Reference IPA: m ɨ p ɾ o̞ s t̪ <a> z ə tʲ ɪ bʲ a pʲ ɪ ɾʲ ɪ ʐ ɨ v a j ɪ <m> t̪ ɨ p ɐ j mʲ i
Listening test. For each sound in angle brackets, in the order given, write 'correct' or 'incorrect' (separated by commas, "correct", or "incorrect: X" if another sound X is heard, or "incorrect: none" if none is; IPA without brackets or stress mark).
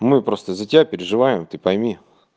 incorrect: ə, correct